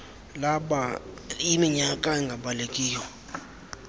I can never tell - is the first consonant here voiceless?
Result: no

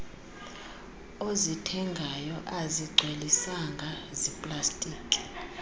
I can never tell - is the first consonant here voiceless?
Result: no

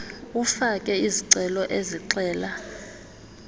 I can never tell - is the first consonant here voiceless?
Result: yes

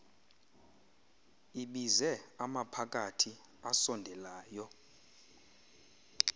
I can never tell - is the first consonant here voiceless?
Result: no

